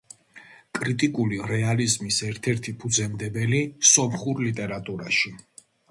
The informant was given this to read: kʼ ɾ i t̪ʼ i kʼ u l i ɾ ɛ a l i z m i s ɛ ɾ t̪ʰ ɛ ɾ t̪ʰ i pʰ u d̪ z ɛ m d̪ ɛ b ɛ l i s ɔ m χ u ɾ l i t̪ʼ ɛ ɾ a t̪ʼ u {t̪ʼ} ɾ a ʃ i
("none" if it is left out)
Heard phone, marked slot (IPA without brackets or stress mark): none